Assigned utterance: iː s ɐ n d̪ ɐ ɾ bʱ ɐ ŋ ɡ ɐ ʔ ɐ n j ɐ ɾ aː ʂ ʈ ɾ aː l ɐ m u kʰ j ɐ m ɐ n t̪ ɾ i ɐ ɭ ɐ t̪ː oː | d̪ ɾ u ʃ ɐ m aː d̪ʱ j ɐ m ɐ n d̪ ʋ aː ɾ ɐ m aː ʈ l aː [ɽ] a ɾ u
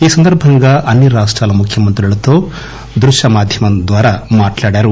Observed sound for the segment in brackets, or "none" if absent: ɽ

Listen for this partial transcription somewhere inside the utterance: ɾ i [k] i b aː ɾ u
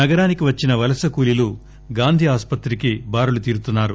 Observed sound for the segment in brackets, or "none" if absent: k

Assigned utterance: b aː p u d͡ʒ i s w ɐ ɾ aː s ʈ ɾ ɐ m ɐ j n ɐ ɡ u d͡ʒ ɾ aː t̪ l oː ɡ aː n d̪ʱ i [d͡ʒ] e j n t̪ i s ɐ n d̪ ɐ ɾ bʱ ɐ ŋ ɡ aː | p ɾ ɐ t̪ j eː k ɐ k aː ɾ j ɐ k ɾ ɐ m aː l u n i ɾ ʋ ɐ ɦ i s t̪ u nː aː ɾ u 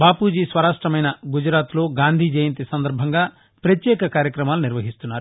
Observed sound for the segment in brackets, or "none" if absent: d͡ʒ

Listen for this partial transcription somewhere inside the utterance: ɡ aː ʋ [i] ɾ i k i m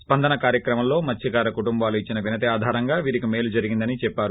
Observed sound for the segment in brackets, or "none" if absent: iː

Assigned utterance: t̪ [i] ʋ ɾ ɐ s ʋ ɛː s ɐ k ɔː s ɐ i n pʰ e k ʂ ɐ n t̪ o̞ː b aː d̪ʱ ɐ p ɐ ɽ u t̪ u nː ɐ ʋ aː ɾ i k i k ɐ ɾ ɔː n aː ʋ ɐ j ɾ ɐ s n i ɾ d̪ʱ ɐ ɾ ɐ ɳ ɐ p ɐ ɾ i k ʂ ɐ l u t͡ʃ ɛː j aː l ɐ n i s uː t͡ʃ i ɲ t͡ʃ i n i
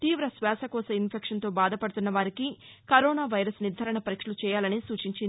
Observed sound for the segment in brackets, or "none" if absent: iː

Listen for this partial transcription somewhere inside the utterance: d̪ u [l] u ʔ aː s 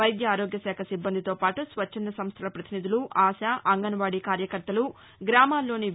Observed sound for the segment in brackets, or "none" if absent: l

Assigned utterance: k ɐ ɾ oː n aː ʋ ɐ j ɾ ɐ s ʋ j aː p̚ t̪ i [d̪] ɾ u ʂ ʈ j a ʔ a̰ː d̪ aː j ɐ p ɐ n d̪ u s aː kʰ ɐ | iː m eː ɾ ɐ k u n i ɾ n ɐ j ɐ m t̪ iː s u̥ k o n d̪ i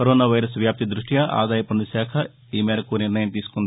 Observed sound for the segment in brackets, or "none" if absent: d̪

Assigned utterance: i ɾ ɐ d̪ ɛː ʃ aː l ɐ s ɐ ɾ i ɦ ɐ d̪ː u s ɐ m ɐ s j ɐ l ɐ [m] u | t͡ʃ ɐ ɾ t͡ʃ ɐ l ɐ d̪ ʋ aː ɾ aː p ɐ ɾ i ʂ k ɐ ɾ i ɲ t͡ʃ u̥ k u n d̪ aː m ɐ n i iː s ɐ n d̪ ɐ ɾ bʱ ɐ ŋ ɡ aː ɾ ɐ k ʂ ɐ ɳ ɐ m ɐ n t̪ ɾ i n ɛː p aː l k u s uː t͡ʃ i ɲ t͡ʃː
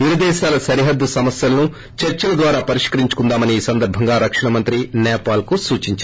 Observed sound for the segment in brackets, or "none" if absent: n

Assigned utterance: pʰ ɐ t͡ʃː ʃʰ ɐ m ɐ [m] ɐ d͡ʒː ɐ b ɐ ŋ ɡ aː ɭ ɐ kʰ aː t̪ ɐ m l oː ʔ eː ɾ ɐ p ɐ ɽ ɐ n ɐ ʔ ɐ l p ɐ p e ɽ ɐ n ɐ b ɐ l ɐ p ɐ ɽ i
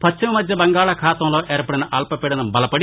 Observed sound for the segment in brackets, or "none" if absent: m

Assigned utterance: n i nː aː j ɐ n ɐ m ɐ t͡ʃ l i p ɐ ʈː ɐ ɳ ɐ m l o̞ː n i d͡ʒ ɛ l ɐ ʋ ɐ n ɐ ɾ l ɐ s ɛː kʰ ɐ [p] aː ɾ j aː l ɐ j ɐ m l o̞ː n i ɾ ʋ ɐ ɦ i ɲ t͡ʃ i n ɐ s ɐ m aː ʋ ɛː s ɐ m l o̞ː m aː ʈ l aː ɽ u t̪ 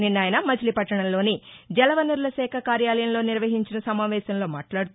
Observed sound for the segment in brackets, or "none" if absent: k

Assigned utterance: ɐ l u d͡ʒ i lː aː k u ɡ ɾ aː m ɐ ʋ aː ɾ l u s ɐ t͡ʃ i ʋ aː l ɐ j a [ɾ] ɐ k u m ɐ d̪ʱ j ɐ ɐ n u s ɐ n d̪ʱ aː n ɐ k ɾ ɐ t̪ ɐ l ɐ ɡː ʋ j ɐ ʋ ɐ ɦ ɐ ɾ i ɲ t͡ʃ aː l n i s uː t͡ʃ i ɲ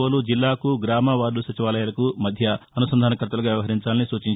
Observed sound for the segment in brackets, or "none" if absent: l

